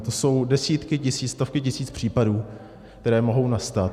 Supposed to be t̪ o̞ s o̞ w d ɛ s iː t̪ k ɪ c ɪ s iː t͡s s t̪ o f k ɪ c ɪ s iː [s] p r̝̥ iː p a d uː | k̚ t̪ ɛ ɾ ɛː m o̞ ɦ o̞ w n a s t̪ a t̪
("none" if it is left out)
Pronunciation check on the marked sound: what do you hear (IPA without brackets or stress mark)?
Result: t͡s